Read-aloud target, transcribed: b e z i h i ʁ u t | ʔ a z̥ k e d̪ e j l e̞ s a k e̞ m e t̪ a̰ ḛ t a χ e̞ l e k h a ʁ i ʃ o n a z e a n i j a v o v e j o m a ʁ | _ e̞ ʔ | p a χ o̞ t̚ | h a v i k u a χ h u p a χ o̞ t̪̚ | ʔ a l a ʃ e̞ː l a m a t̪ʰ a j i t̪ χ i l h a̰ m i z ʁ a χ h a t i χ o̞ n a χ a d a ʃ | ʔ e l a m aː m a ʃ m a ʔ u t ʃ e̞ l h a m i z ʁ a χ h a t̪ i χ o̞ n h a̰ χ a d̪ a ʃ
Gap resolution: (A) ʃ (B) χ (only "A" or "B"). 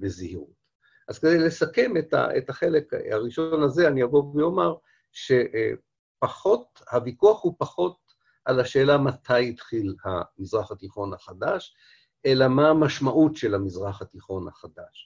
A